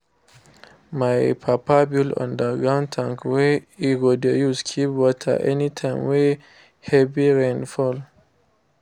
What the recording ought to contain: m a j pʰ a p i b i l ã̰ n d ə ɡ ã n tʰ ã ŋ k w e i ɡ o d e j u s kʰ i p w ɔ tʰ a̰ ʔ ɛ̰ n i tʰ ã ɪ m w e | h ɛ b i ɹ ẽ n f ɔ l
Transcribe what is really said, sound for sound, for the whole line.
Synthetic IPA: m a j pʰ a p a b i l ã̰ n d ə ɡ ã n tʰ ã ŋ k w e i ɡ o d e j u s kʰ i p w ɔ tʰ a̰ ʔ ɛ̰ n i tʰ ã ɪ m w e | h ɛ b i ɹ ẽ n f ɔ l